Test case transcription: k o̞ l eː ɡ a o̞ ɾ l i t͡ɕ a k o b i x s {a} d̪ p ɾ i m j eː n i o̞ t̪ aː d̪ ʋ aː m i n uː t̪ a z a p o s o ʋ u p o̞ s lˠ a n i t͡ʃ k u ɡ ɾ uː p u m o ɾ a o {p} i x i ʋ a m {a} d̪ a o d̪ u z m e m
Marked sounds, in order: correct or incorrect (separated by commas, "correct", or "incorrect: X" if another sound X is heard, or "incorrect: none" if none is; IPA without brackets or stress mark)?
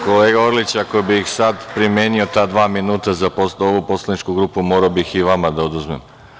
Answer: correct, incorrect: b, correct